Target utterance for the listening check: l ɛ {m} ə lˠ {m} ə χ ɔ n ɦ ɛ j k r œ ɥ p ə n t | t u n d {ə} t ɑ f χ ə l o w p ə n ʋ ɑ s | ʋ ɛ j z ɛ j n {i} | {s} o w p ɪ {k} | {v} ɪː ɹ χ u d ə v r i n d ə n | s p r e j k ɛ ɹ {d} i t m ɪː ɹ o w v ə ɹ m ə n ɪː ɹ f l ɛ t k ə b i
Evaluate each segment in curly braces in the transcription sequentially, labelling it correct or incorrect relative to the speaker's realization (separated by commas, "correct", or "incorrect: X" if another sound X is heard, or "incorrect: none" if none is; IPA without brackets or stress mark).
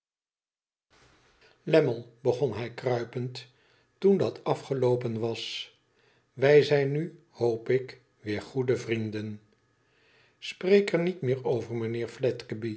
correct, incorrect: b, incorrect: ɑ, incorrect: y, incorrect: h, correct, incorrect: ʋ, incorrect: n